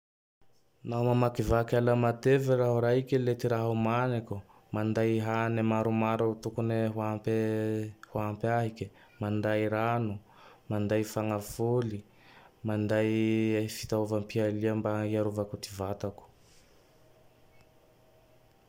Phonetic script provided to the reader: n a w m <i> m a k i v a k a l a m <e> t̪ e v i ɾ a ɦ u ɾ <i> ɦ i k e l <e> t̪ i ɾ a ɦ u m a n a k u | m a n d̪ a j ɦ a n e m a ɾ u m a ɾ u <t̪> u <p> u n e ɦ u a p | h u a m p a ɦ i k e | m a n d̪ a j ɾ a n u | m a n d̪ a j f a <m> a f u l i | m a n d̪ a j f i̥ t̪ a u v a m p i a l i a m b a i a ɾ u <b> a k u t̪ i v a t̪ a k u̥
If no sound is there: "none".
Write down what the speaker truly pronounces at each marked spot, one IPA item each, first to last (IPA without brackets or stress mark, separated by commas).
a, a, a, e, t̪, k, ŋ, v